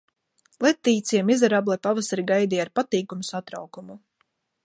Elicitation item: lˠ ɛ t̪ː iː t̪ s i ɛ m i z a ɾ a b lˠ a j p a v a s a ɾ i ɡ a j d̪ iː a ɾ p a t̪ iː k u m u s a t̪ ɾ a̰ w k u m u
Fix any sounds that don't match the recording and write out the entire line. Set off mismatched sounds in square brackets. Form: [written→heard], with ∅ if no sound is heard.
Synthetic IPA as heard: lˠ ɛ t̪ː iː t̪ s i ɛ m i z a ɾ a b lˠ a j p a v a s a ɾ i ɡ a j d̪ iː a ɾ p a t̪ iː k u m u s a t̪ ɾ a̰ w k u m u